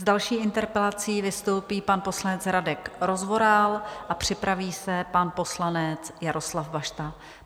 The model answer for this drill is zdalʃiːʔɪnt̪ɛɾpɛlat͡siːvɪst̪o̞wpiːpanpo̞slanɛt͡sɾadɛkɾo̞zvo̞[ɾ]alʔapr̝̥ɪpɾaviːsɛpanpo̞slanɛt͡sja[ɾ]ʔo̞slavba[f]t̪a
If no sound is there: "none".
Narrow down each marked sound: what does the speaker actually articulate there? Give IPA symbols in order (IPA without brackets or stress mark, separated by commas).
ɾ, ɾ, ʃ